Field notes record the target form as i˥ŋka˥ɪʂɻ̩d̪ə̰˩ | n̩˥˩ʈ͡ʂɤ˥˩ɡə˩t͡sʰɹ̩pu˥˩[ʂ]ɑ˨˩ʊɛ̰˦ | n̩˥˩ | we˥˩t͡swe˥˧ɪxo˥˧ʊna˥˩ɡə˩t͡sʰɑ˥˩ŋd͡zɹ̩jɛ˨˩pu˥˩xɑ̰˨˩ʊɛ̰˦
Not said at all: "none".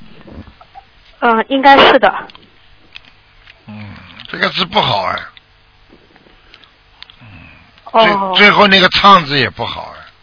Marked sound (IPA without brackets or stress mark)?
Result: x